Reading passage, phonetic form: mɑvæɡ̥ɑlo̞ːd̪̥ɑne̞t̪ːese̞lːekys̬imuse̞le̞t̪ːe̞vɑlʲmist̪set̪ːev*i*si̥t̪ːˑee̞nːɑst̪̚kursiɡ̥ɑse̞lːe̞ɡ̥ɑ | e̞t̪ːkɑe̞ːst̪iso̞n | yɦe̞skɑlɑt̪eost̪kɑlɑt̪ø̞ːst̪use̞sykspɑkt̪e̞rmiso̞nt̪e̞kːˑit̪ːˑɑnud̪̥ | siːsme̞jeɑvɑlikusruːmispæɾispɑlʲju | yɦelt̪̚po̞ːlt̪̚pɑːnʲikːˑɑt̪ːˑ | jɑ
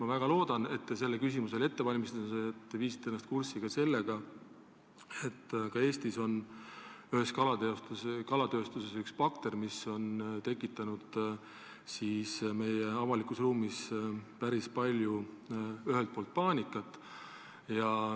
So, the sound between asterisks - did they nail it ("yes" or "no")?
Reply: no